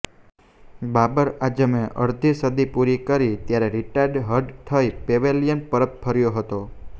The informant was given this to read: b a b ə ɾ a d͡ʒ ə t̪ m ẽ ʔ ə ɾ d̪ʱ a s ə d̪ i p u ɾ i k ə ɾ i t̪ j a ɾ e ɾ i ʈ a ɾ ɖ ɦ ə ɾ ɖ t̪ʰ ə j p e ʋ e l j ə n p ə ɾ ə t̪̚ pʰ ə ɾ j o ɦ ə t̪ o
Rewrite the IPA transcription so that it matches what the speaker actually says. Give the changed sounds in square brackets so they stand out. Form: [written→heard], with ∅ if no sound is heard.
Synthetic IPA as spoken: b a b ə ɾ a d͡ʒ ə [t̪→∅] m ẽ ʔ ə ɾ d̪ʱ [a→i] s ə d̪ i p u ɾ i k ə ɾ i t̪ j a ɾ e ɾ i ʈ a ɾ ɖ ɦ ə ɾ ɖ t̪ʰ ə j p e ʋ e l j ə n p ə ɾ ə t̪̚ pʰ ə ɾ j o ɦ ə t̪ o